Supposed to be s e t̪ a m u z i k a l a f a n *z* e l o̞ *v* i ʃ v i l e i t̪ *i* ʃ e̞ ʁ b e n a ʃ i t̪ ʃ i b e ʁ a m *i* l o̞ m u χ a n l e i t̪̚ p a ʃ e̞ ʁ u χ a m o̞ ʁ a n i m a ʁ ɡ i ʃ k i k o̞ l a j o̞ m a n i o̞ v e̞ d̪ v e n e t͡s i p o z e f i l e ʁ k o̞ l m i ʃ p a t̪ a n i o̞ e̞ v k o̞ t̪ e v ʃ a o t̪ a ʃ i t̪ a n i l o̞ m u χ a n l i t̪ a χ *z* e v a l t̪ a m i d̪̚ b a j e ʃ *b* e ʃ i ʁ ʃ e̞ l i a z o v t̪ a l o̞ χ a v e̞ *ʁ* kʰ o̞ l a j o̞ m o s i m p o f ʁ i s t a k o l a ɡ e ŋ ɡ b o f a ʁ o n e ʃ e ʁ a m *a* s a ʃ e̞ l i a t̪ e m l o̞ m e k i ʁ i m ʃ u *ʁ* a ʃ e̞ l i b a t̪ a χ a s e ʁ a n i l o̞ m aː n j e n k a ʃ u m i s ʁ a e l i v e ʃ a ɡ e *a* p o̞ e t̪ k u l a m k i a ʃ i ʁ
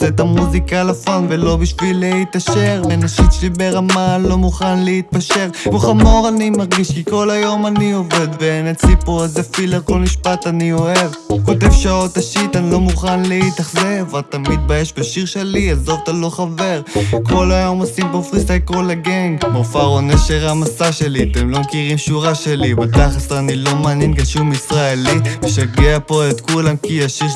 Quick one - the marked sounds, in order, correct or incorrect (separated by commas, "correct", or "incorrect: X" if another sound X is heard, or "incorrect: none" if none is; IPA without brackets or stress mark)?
incorrect: v, incorrect: b, incorrect: a, incorrect: a, correct, correct, correct, correct, correct, correct